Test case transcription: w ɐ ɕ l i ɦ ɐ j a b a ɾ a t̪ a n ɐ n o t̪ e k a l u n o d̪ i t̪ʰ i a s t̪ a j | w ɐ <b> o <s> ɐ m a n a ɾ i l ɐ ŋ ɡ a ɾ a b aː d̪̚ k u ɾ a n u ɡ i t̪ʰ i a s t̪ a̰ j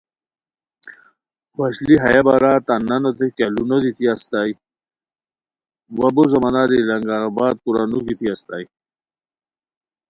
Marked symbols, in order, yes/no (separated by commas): yes, no